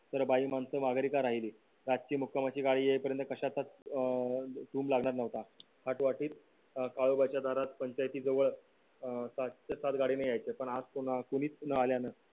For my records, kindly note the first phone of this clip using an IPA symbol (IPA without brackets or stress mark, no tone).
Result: t̪